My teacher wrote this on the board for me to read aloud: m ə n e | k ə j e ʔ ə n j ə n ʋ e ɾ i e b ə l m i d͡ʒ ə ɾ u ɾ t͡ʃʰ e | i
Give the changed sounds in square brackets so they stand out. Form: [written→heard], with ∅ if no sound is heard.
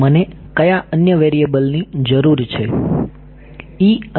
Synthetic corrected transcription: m ə n e | k ə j [e→a] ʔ ə n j ə [n→∅] ʋ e ɾ i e b ə l [m→n] i d͡ʒ ə ɾ u ɾ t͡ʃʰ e | i

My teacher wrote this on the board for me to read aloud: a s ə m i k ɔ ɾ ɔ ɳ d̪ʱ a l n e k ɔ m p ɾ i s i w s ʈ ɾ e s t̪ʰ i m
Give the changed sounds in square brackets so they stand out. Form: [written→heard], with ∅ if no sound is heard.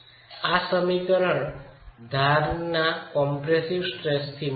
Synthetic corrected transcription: a s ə m i k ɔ ɾ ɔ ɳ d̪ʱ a [l→ɾ] n [e→a] k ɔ m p ɾ [i→e] s i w s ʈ ɾ e s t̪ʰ i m

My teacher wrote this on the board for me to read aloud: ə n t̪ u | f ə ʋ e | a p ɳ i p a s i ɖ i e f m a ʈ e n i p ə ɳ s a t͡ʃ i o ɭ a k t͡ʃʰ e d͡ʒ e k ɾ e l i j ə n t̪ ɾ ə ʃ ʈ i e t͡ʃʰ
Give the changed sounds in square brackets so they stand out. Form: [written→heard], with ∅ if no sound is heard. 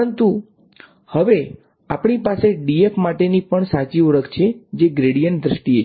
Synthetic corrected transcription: ə n t̪ u | [f→h] ə ʋ e | a p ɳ i p a s [i→e] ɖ i e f m a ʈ e n i p ə ɳ s a t͡ʃ i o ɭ [a→ə] k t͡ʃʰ e d͡ʒ e [k→ɡ] ɾ e [l→ɽ] i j ə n [t̪→d̪] ɾ ə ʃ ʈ i e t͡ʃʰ

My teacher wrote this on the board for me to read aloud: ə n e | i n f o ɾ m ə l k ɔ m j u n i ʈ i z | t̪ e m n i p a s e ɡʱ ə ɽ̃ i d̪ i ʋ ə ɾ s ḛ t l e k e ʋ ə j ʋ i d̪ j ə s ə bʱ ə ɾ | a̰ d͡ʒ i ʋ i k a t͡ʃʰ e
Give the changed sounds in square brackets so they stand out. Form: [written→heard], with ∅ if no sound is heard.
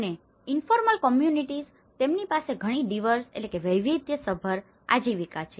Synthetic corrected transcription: ə n e | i n f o ɾ m ə l k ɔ m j u n i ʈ i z | t̪ e m n i p a s e ɡʱ ə ɽ̃ i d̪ i ʋ ə ɾ s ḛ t l e k e ʋ ə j ʋ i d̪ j ə s ə bʱ ə ɾ | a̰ d͡ʒ i ʋ i k a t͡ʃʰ e

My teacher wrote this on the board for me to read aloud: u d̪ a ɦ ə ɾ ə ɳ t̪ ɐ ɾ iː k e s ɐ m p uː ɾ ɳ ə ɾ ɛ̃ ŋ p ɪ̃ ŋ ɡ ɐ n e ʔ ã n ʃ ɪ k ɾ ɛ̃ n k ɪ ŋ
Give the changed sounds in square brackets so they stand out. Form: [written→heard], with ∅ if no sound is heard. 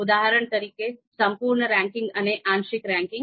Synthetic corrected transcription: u d̪ a ɦ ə ɾ ə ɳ t̪ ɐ ɾ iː k e s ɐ m p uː ɾ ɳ ə ɾ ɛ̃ ŋ [p→k] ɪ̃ ŋ ɡ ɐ n e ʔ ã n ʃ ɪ k ɾ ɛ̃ [n→ŋ] k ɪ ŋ

